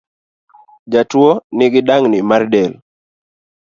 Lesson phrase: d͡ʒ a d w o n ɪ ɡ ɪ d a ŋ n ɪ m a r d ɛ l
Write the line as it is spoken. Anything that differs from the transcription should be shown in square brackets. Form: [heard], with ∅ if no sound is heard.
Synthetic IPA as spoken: d͡ʒ a [t] w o n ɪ ɡ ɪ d a ŋ n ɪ m a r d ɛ l

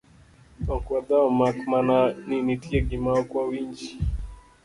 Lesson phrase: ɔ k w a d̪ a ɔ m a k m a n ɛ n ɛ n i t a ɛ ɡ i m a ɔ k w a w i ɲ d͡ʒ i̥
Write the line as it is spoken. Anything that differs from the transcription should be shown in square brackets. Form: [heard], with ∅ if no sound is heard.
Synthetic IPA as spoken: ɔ k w a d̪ a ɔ m a k m a n [a] n [i] n i t [i] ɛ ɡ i m a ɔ k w a w i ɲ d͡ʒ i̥

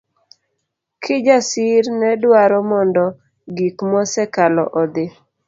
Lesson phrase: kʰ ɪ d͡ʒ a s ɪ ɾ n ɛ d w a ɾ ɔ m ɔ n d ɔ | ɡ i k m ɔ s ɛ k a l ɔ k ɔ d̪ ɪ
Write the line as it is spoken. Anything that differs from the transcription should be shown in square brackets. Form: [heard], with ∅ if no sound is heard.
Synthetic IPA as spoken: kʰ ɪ d͡ʒ a s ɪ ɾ n ɛ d w a ɾ ɔ m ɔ n d ɔ | ɡ i k m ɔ s ɛ k a l ɔ [ʔ] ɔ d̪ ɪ

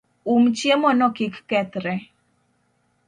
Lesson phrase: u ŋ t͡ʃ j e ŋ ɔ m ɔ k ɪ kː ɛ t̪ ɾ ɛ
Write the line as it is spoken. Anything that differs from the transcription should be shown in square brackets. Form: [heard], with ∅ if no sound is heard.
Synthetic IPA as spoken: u [m] t͡ʃ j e [m] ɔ [n] ɔ k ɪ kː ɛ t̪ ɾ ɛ

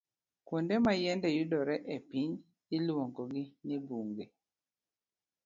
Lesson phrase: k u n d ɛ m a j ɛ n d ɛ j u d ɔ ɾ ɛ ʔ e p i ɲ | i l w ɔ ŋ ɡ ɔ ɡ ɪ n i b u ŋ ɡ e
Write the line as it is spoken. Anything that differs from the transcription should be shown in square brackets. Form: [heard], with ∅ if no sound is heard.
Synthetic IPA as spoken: k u n d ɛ m a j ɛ n d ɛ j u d ɔ ɾ ɛ ʔ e p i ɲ | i l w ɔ ŋ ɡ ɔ ɡ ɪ n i b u ŋ ɡ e

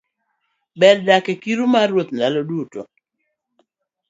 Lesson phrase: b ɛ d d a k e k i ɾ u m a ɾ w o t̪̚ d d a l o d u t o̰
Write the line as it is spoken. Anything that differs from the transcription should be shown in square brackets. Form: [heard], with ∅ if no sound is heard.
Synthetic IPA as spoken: b ɛ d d a k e k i ɾ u m a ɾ w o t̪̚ [n] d a l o d u t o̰

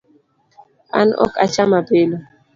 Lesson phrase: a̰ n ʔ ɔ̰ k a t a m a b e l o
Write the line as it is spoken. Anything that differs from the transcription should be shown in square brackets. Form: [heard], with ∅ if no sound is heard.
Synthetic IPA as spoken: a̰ n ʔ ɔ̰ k a [t͡ʃ] a m a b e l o

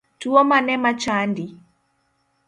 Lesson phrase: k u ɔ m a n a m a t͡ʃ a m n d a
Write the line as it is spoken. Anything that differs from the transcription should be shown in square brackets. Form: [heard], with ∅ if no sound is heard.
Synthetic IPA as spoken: [t] u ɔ m a n [ɛ] m a t͡ʃ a [∅] n d [i]

